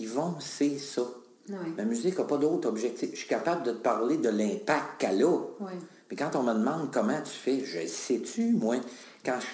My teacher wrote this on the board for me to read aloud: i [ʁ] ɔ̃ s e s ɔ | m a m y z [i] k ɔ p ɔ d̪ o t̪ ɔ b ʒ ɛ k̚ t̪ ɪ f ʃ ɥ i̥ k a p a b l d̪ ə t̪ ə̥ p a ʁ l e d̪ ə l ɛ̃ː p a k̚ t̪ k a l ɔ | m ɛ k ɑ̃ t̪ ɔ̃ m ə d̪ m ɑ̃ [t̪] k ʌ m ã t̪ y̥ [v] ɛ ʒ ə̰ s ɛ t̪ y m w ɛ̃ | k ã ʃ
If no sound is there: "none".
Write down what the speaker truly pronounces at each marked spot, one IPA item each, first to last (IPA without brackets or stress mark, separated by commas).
v, ɪ, d̪, f